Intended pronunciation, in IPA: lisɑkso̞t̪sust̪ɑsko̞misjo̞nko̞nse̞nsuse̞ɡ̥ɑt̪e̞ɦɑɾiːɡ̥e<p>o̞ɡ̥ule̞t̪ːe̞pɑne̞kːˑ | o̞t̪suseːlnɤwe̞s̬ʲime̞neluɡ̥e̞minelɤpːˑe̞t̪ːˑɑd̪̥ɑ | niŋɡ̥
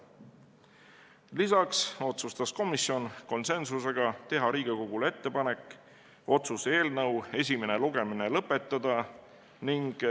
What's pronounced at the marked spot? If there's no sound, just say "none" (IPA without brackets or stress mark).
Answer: k